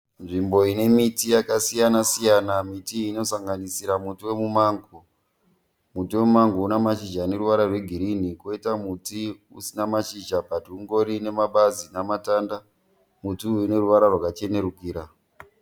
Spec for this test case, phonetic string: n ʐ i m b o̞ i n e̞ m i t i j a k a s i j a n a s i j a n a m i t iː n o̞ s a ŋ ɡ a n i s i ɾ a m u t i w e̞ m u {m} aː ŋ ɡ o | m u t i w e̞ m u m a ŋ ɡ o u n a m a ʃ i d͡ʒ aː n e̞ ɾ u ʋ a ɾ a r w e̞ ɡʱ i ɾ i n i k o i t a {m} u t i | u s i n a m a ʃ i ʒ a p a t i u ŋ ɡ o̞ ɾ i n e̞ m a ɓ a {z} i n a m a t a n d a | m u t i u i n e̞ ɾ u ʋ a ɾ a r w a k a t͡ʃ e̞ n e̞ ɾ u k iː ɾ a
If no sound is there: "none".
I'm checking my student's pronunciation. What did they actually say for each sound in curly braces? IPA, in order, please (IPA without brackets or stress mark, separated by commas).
m, m, z